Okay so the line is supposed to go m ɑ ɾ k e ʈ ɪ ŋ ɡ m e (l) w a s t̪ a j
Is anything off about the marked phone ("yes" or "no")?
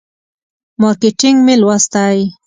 no